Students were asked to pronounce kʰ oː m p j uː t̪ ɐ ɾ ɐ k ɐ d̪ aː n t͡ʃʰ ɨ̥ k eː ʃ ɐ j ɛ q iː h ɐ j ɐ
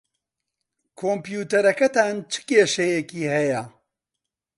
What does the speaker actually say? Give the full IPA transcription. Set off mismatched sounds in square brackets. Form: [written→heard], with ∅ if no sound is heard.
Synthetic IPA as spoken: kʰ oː m p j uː t̪ ɐ ɾ ɐ k ɐ [d̪→t̪] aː n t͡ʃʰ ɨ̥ k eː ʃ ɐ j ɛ [q→k] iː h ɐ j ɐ